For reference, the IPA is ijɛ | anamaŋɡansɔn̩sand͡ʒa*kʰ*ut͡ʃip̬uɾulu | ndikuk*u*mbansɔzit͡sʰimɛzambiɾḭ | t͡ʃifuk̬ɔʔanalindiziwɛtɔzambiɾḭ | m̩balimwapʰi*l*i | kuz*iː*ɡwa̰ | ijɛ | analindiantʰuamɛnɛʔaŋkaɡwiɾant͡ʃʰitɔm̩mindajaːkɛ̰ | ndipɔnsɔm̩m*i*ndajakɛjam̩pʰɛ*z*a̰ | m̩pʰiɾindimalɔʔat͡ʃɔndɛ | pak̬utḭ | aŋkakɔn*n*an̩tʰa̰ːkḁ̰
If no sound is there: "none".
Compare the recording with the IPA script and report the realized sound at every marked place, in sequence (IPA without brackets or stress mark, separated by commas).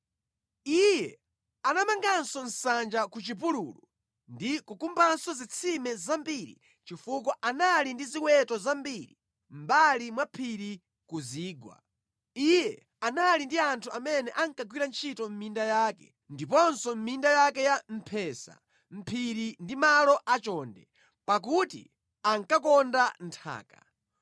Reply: k, u, ɾ, iː, i, s, d